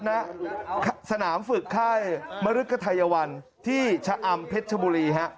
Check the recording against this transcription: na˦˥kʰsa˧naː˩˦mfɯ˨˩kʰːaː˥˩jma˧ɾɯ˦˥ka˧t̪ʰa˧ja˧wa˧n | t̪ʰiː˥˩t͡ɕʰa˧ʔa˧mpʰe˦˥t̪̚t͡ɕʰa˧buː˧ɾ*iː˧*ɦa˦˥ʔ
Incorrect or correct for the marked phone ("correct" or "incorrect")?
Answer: correct